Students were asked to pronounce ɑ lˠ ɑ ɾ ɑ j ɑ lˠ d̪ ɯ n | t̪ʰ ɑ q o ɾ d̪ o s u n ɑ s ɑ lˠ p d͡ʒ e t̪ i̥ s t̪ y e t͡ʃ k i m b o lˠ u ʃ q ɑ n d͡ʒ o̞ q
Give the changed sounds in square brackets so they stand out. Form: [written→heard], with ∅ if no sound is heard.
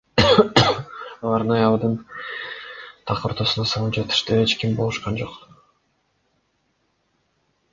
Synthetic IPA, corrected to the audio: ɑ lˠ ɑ ɾ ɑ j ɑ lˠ d̪ ɯ n | t̪ʰ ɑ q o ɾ [d̪→t̪] o s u n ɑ s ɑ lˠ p d͡ʒ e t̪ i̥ [s→ʃ] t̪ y e t͡ʃ k i m b o lˠ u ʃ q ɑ n d͡ʒ o̞ q

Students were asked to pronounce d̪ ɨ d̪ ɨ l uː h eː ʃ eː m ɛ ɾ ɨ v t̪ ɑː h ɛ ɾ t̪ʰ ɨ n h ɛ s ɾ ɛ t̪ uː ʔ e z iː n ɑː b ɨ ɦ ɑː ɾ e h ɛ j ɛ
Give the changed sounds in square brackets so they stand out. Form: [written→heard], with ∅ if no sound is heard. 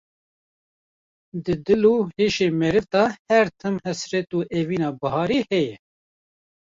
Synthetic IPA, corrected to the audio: d̪ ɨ d̪ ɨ l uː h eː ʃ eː m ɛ ɾ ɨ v t̪ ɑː h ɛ ɾ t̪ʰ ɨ [n→m] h ɛ s ɾ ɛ t̪ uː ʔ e [z→v] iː n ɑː b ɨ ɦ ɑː ɾ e h ɛ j ɛ

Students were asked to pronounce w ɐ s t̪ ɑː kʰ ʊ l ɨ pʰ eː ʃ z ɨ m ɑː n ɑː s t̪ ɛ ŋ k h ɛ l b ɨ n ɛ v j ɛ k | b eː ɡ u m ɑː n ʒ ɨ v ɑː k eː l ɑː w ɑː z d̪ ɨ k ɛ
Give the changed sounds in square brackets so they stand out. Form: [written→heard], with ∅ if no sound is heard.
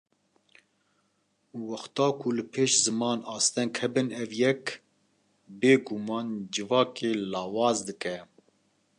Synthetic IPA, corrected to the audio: w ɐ [s→x] t̪ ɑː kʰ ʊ l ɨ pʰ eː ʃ z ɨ m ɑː n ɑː s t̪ ɛ ŋ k h ɛ [l→∅] b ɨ n ɛ v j ɛ k | b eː ɡ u m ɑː n [ʒ→d͡ʒ] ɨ v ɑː k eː l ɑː w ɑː z d̪ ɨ k ɛ

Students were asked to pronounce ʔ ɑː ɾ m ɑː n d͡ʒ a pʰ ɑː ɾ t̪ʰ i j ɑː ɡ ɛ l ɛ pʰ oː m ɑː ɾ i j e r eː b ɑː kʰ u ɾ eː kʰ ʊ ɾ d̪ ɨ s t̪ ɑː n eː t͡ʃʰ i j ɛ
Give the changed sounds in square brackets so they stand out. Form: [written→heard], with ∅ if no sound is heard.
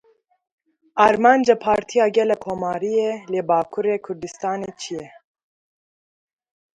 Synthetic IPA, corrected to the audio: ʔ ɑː ɾ m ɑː n d͡ʒ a pʰ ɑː ɾ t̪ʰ i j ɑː ɡ ɛ l ɛ [pʰ→kʰ] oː m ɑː ɾ i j e [r→l] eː b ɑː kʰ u ɾ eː kʰ ʊ ɾ d̪ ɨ s t̪ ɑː n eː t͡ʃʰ i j ɛ

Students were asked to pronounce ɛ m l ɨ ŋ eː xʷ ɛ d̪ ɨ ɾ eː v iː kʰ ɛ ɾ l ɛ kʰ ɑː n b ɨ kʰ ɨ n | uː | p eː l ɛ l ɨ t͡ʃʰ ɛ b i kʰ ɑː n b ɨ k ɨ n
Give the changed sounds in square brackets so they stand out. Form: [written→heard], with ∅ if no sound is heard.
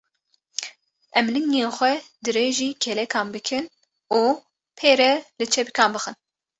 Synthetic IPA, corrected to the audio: ɛ m l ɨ ŋ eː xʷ ɛ d̪ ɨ ɾ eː [v→ʒ] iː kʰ ɛ [ɾ→∅] l ɛ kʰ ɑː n b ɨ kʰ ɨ n | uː | [p→pʰ] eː [l→ɾ] ɛ l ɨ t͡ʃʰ ɛ b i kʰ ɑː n b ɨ [k→x] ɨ n

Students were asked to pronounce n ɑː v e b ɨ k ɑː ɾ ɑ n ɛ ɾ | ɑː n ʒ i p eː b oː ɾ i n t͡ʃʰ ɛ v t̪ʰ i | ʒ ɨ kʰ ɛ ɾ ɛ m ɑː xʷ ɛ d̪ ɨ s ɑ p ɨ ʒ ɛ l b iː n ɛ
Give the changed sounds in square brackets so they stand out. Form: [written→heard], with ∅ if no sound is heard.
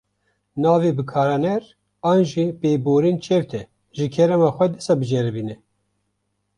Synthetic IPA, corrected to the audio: n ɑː v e b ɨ [k→kʰ] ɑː ɾ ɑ n ɛ ɾ | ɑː n ʒ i p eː b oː ɾ i n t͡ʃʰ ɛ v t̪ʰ [i→ɛ] | ʒ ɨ kʰ ɛ ɾ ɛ m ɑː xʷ ɛ d̪ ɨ s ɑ [p→b] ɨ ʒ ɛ [l→ɾ] b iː n ɛ

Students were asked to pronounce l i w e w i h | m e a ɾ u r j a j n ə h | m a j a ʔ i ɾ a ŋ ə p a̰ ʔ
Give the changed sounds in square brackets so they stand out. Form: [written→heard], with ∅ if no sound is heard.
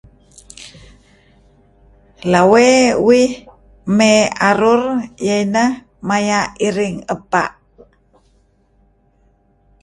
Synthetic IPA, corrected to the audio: l [i→a] w e w i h | m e a ɾ u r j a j n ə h | m a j a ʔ i ɾ [a→i] ŋ ə p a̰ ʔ

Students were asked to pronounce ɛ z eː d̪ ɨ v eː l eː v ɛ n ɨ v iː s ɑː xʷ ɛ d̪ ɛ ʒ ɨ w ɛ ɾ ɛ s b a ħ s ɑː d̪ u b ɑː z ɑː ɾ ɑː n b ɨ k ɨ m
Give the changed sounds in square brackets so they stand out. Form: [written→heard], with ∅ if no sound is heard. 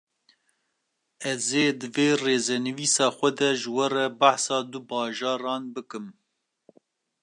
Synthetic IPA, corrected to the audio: ɛ z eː d̪ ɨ v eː [l→r] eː [v→z] ɛ n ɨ v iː s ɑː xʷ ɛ d̪ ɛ ʒ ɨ w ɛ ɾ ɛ [s→∅] b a ħ s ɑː d̪ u b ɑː [z→ʒ] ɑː ɾ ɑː n b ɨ k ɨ m

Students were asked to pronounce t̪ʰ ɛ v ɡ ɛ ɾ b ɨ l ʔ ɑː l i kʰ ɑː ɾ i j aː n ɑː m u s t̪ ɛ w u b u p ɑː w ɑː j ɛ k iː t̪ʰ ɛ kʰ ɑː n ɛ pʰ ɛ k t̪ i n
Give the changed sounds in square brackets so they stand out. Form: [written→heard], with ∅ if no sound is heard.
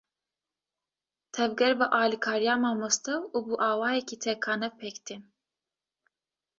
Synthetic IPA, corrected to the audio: t̪ʰ ɛ v ɡ ɛ ɾ b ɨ [l→∅] ʔ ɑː l i kʰ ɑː ɾ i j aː [n→m] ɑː m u s t̪ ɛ w u b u [p→ʔ] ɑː w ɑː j ɛ k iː t̪ʰ ɛ kʰ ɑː n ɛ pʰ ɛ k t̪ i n

